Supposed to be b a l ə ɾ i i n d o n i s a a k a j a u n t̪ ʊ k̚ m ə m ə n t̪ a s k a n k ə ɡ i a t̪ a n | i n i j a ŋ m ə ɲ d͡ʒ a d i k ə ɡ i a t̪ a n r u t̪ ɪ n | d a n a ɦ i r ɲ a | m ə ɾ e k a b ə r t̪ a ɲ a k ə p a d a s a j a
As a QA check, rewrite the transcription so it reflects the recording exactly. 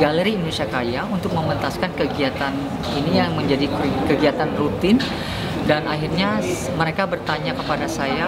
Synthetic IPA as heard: ɡ a l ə ɾ i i n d o n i s i a k a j a u n t̪ ʊ k̚ m ə m ə n t̪ a s k a n k ə ɡ i a t̪ a n | i n i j a ŋ m ə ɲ d͡ʒ a d i k ə ɡ i a t̪ a n r u t̪ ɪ n | d a n a ɦ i r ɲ a | m ə ɾ e k a b ə r t̪ a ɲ a k ə p a d a s a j a